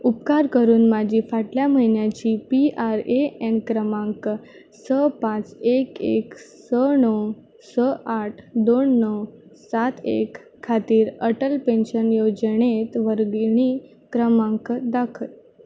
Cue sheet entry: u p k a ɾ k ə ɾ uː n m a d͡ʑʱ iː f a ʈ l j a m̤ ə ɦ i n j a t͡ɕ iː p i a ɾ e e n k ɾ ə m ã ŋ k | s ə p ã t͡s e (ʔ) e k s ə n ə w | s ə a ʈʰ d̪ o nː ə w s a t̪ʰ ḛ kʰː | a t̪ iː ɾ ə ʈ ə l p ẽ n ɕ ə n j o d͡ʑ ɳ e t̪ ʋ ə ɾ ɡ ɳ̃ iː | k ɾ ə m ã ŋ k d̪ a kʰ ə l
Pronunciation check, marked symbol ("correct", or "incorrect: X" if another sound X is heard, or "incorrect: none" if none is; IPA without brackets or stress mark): incorrect: k